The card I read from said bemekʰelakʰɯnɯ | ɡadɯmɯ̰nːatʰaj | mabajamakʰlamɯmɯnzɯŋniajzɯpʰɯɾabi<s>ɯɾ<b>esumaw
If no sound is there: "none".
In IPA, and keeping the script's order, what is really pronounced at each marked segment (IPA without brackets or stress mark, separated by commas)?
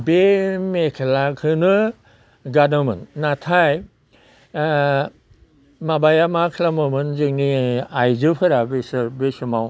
s, b